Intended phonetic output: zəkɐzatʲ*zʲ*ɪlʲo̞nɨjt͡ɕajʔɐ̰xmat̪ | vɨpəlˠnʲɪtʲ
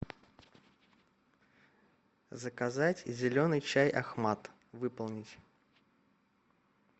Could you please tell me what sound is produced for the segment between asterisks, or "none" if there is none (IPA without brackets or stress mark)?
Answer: zʲ